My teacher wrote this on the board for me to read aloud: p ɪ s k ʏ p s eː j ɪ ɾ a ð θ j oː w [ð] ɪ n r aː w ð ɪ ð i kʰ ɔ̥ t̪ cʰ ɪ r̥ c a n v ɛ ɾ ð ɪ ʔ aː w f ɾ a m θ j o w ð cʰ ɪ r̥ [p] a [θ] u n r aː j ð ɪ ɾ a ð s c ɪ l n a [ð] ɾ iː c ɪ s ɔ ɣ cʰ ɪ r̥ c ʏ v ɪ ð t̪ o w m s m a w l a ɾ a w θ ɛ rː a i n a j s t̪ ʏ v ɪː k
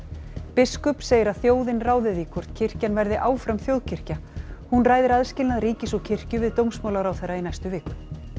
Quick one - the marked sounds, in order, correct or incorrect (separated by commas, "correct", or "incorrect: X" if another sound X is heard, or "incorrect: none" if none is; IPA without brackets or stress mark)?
correct, incorrect: c, incorrect: h, correct